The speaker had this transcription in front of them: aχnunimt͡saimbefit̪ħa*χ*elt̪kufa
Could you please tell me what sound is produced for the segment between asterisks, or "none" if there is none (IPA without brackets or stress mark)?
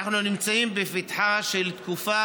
ʃ